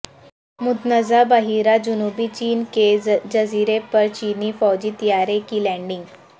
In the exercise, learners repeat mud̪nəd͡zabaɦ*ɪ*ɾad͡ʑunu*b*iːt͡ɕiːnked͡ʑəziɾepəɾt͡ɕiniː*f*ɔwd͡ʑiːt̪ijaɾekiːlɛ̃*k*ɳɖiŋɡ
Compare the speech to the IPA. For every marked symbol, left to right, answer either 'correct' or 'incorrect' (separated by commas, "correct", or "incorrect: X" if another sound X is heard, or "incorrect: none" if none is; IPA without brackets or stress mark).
incorrect: i, correct, correct, incorrect: none